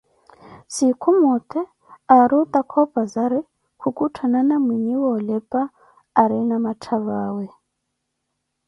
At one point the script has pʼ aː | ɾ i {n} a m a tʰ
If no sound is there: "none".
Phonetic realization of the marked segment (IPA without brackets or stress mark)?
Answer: n